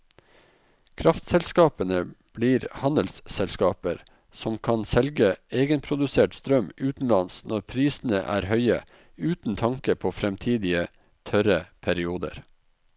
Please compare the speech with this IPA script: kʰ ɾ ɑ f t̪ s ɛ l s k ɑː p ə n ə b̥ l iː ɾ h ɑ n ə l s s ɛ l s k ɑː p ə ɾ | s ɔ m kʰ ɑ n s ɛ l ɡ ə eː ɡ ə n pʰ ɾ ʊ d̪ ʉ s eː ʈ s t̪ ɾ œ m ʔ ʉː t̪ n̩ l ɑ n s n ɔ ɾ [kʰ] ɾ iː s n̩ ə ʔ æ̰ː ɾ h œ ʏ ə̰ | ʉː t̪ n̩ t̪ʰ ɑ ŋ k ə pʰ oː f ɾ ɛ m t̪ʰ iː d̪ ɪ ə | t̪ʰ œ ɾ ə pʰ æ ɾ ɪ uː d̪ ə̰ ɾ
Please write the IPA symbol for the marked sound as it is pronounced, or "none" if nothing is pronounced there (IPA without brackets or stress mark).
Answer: pʰ